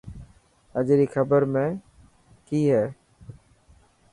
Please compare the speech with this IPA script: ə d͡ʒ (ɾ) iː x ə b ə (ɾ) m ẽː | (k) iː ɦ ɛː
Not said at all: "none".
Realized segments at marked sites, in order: ɾ, ɾ, k

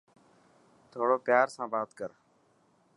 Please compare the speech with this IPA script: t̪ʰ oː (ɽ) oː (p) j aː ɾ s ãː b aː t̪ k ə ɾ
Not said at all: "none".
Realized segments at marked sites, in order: ɽ, p

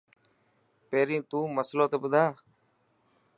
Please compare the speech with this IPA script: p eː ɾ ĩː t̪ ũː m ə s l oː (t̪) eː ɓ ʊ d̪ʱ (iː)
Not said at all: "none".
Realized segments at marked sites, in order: t̪, aː

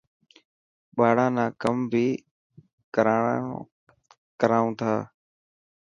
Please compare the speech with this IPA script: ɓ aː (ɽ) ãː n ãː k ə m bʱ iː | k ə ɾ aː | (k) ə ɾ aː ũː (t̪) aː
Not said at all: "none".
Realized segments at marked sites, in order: ɽ, k, t̪ʰ

